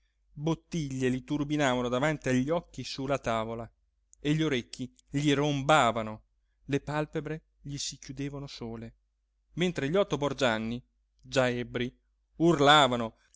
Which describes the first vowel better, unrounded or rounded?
rounded